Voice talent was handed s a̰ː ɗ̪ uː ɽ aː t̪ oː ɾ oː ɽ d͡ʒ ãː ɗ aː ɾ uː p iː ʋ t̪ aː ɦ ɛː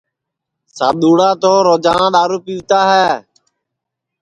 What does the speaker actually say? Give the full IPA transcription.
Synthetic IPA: s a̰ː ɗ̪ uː ɽ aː t̪ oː ɾ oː d͡ʒ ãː ɗ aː ɾ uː p iː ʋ t̪ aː ɦ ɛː

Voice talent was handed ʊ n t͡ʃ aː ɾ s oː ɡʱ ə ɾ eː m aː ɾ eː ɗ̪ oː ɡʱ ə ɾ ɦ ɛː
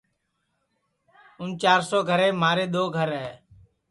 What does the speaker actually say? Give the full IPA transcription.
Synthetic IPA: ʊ n t͡ʃ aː ɾ s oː ɡʱ ə ɾ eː m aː ɾ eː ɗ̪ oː ɡʱ ə ɾ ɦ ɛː

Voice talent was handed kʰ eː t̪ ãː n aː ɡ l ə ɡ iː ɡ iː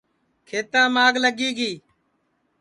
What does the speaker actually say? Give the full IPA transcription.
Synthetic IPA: kʰ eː t̪ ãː m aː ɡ l ə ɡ iː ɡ iː

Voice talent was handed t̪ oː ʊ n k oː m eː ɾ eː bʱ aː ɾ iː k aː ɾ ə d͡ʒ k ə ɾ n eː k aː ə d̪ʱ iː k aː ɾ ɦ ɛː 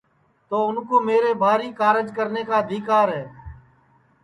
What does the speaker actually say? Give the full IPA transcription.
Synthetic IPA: t̪ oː ʊ n k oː m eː ɾ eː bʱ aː ɾ iː k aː ɾ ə d͡ʒ k ə ɾ n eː k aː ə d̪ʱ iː k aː ɾ ɦ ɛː

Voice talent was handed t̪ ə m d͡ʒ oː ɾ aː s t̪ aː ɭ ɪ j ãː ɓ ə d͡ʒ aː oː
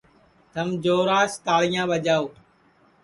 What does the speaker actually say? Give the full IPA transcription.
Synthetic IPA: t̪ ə m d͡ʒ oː ɾ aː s t̪ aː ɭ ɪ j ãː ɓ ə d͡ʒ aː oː

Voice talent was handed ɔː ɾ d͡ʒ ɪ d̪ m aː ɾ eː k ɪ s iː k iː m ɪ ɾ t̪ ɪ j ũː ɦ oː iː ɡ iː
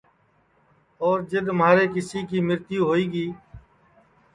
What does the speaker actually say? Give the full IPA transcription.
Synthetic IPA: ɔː ɾ d͡ʒ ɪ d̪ m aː ɾ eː k ɪ s iː k iː m ɪ ɾ t̪ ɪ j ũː ɦ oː iː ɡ iː

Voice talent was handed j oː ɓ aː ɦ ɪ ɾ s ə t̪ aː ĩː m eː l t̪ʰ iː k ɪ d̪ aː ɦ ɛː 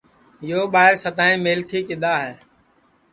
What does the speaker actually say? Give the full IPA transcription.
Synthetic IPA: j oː ɓ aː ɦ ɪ ɾ s ə t̪ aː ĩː m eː l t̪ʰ iː k ɪ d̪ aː ɦ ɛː

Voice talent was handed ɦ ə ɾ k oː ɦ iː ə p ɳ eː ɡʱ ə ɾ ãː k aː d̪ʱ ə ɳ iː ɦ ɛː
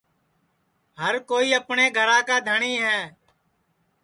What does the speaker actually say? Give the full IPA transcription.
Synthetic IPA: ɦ ə ɾ k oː iː ə p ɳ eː ɡʱ ə ɾ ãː k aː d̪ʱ ə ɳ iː ɦ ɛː

